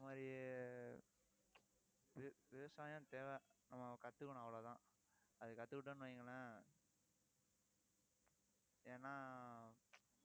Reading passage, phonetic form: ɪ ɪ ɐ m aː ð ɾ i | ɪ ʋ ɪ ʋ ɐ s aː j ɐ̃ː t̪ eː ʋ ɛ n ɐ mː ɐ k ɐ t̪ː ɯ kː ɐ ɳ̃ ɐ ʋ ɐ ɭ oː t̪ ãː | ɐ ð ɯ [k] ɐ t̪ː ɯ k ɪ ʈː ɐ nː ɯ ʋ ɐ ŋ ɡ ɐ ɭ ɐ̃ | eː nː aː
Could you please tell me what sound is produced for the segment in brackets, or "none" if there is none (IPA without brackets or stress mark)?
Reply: k